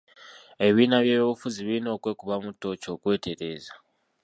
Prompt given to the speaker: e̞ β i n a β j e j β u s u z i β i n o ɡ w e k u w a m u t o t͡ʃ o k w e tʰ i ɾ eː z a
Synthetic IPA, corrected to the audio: e̞ β i n a β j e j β u f u z i β i n o k w e k u β a m u t o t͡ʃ o k w e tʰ e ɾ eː z a